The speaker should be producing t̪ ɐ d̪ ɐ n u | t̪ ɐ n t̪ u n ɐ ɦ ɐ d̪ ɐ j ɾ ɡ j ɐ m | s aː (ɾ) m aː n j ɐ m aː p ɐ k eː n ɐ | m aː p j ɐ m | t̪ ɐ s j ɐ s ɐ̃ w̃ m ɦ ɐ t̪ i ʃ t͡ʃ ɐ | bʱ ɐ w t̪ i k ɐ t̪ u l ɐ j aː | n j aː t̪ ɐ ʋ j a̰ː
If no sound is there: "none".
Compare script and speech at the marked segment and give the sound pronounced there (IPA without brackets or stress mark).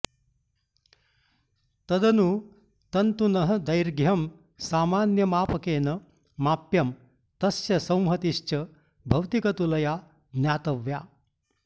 none